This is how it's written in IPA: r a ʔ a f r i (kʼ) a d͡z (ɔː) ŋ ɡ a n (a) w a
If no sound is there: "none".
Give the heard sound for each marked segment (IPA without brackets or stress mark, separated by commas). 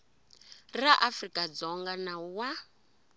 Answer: kʼ, ɔ, a